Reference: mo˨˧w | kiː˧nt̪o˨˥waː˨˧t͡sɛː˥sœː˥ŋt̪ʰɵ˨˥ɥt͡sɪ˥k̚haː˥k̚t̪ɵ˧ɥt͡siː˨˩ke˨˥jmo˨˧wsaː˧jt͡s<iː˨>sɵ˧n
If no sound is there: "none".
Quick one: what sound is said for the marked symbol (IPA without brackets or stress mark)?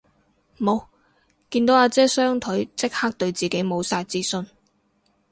iː˥